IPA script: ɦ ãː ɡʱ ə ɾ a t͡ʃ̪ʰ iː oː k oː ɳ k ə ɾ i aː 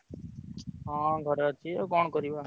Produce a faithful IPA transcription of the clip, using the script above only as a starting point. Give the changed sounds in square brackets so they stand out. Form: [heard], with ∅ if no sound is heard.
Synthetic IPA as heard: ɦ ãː ɡʱ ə ɾ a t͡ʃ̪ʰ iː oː k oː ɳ k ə ɾ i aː